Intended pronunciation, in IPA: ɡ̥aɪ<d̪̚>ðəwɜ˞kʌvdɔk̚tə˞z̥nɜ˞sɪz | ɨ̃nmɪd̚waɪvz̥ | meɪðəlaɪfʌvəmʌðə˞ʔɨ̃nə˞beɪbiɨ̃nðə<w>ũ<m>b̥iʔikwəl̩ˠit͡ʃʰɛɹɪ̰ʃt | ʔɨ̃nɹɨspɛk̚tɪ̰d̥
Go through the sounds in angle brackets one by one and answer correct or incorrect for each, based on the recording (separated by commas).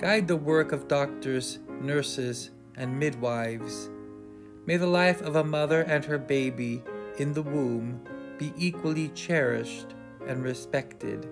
correct, correct, correct